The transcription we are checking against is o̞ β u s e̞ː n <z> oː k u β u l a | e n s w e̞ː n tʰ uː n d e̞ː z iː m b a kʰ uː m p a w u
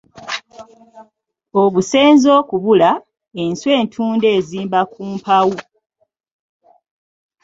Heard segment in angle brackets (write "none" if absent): z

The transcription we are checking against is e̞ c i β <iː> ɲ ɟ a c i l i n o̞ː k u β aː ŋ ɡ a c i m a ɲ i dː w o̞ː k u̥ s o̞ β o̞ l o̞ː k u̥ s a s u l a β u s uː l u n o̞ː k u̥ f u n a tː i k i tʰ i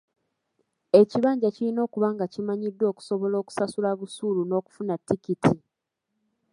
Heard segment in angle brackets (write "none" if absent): aː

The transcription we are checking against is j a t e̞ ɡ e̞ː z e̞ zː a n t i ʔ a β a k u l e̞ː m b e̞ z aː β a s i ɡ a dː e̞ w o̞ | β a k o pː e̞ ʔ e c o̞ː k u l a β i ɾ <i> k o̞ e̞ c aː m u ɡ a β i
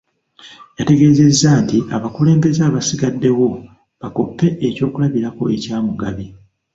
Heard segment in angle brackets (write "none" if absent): a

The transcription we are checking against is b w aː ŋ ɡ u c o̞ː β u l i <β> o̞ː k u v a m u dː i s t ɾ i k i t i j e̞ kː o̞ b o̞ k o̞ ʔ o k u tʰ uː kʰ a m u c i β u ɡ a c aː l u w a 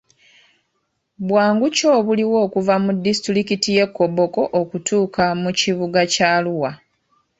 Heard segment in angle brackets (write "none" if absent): w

